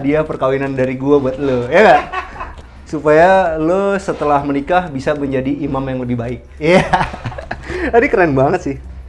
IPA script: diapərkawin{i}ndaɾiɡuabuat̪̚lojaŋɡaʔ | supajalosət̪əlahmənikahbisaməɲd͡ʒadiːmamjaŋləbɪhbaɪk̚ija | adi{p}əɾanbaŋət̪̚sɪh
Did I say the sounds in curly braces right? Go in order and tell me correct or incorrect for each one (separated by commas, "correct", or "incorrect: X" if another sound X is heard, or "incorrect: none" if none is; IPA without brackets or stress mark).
incorrect: a, incorrect: k